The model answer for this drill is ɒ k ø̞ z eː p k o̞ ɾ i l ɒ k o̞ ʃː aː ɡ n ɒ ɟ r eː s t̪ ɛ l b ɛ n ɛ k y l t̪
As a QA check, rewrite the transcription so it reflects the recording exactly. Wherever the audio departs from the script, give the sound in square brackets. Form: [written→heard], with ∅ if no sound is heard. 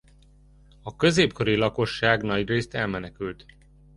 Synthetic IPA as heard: ɒ k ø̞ z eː p k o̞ ɾ i l ɒ k o̞ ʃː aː ɡ n ɒ ɟ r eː s t̪ ɛ l [b→m] ɛ n ɛ k y l t̪